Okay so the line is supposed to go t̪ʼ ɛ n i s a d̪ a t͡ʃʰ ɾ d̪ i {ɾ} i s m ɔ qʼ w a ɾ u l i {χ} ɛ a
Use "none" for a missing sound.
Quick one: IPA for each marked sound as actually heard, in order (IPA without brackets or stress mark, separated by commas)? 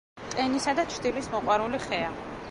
l, χ